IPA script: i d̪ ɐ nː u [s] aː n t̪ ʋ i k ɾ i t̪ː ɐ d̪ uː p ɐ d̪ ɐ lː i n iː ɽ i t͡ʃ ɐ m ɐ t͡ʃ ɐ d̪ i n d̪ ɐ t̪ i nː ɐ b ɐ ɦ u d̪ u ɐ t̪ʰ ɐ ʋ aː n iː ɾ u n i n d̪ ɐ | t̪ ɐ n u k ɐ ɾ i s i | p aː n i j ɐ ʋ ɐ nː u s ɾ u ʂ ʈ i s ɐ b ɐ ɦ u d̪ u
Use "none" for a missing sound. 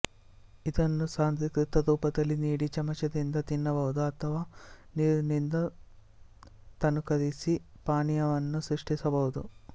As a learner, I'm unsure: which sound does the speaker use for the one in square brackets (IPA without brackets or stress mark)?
s